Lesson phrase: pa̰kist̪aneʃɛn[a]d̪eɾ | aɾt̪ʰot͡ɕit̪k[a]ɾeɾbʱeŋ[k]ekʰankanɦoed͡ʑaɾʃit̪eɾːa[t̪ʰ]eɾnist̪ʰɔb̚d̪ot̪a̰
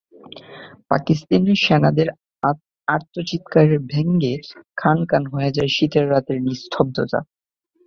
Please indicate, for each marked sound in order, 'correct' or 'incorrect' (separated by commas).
correct, correct, incorrect, incorrect